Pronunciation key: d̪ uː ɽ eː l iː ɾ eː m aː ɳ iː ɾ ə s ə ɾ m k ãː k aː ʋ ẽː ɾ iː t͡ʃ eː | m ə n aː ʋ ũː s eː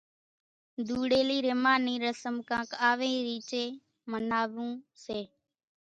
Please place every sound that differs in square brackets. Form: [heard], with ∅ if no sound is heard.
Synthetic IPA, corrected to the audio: d̪ uː ɽ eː l iː ɾ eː m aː [n] iː ɾ ə s ə [∅] m k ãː k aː ʋ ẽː ɾ iː t͡ʃ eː | m ə n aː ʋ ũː s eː